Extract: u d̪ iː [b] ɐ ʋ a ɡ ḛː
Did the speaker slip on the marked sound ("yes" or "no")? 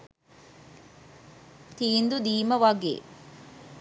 yes